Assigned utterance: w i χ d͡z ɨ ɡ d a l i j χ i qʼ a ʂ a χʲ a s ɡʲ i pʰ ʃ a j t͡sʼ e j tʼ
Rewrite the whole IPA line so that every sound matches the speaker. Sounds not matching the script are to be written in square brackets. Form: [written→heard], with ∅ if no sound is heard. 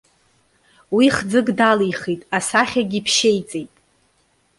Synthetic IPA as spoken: w i χ d͡z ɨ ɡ d a l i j χ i [qʼ→tʼ] a [ʂ→s] a χʲ a [s→∅] ɡʲ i pʰ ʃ [a→e] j t͡sʼ e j tʼ